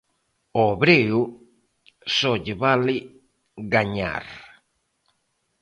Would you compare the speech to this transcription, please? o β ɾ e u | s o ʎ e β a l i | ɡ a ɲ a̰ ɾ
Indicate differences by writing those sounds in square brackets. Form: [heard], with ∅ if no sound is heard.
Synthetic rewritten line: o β ɾ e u | s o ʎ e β a l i | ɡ a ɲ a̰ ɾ